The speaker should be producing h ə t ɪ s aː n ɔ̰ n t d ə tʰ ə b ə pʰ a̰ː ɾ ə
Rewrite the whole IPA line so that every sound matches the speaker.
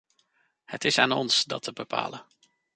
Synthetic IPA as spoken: h ə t ɪ s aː n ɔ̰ n s d ɑ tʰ ə b ə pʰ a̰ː l ə